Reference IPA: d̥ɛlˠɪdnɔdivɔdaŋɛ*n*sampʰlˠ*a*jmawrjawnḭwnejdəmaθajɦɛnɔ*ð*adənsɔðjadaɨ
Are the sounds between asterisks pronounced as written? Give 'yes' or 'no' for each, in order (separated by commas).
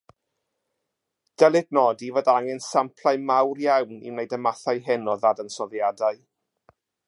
yes, yes, yes